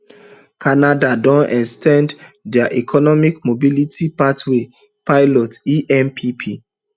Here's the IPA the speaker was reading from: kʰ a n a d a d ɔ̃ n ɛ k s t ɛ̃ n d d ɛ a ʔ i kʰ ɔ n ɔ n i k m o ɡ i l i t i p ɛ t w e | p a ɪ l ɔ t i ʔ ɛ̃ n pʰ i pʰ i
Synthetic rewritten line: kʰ a n a d a d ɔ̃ n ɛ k s t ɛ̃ n d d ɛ a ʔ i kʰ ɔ n ɔ m i k m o b i l i t i p a t w e | p a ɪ l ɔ t i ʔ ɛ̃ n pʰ i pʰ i